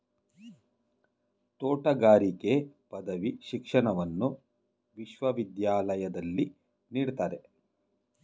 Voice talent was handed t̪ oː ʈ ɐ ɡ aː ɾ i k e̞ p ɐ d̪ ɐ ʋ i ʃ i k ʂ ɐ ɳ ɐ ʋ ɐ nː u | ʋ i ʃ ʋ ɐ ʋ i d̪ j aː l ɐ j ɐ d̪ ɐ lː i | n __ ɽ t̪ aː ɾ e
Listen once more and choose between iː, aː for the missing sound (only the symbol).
iː